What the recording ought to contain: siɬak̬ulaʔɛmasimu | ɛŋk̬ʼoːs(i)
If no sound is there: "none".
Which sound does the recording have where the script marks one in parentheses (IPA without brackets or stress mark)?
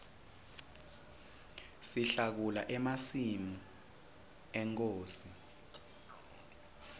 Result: i